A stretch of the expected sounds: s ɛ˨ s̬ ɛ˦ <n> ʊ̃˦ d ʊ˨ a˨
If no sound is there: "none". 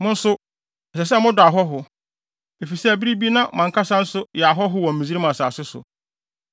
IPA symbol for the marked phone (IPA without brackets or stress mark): m